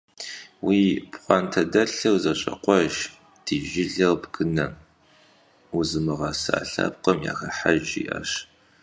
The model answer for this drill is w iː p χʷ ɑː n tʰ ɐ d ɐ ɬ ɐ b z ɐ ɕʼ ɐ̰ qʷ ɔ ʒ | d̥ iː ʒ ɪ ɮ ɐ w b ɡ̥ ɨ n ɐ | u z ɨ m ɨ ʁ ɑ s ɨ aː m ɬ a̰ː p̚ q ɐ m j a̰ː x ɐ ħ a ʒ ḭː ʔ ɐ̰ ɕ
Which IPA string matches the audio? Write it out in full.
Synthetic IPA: w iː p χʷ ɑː n tʰ ɐ d ɐ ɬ ɐ w z ɐ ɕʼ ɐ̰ qʷ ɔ ʒ | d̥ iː ʒ ɪ ɮ ɐ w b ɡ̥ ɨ n ɐ | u z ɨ m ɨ ʁ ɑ s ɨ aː ɬ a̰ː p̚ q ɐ m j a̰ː x ɐ ħ a ʒ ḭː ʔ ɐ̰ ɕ